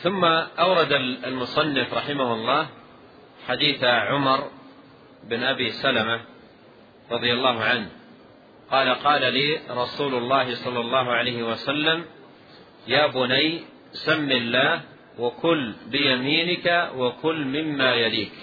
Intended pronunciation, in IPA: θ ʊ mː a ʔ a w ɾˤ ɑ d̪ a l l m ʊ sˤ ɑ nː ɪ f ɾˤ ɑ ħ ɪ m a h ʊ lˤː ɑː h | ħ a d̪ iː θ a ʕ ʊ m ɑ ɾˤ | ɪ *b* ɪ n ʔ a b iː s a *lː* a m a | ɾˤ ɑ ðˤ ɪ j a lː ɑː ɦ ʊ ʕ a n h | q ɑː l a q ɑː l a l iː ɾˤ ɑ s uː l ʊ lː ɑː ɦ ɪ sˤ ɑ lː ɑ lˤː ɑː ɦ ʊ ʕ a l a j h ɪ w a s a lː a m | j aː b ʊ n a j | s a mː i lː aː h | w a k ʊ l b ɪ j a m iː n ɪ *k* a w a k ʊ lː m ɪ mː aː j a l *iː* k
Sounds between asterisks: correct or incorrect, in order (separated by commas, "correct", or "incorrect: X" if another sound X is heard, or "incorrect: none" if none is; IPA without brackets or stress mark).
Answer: correct, incorrect: l, correct, correct